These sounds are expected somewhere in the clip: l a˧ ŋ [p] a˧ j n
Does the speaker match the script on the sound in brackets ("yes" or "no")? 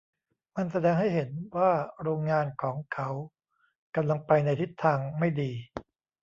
yes